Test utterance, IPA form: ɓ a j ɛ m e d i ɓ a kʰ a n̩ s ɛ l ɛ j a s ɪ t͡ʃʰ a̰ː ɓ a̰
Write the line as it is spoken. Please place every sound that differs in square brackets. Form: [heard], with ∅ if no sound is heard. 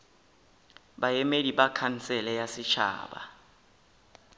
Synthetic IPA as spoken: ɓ a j ɛ m e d i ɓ a kʰ a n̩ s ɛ l ɛ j a s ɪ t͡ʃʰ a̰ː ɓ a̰